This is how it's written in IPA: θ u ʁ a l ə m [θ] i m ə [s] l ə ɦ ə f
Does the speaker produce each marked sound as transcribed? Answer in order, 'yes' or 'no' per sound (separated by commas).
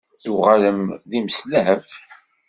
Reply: no, yes